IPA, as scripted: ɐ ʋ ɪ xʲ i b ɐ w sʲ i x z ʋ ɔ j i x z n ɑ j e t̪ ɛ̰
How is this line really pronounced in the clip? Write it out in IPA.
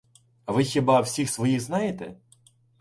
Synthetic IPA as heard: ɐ ʋ ɪ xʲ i b ɑ w sʲ i x s ʋ ɔ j i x z n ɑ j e t̪ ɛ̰